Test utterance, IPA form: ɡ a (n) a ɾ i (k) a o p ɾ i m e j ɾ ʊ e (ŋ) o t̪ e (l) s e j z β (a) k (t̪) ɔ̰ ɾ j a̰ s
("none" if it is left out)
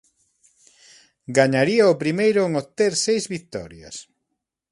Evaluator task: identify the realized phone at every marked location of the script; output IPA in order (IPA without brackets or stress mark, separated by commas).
ɲ, none, ŋ, ɾ, i, t̪